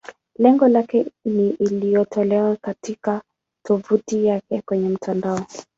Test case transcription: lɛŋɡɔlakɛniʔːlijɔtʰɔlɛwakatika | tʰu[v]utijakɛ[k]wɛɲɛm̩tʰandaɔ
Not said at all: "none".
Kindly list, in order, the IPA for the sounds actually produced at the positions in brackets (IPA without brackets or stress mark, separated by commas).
v, k